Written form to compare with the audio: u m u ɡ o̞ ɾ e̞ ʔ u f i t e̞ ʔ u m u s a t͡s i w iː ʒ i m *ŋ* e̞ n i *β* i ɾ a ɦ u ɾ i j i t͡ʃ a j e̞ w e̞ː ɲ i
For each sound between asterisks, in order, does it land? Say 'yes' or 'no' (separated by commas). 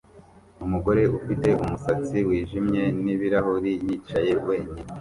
no, yes